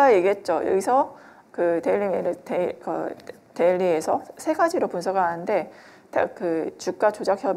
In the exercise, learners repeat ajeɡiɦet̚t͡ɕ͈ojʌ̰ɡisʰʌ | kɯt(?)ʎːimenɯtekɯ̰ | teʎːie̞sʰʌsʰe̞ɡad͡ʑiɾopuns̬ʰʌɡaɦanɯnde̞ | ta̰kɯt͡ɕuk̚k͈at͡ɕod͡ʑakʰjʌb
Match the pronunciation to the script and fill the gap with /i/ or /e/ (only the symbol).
e